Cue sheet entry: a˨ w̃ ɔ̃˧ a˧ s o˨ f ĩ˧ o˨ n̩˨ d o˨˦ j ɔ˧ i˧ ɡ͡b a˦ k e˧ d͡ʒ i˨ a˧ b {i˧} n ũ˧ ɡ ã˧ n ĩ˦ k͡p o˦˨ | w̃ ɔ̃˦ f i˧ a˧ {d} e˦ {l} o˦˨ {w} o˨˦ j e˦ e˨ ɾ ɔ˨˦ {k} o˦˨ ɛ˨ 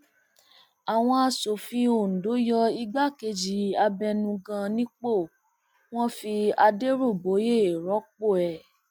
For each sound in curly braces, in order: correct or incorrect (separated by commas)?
incorrect, correct, incorrect, incorrect, incorrect